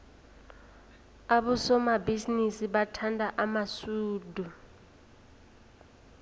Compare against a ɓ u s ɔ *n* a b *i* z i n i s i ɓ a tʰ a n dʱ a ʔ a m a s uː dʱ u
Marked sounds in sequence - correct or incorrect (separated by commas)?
incorrect, correct